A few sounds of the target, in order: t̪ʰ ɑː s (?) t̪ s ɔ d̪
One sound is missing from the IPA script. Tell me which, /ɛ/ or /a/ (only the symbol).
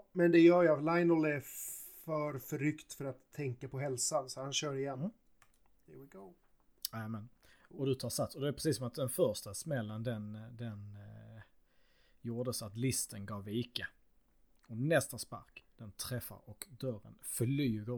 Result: a